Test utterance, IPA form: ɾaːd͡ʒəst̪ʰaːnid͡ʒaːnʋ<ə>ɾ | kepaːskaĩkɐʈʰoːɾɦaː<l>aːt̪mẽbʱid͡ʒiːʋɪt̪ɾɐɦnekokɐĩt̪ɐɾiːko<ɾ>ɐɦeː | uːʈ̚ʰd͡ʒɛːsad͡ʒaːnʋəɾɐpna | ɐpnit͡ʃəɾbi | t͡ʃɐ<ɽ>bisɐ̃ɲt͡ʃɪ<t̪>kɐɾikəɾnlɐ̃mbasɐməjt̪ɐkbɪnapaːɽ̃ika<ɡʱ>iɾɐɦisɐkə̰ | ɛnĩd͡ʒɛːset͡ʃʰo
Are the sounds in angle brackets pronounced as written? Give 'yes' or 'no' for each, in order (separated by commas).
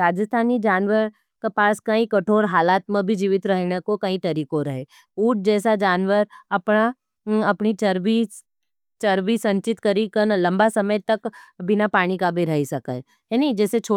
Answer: yes, yes, yes, no, yes, no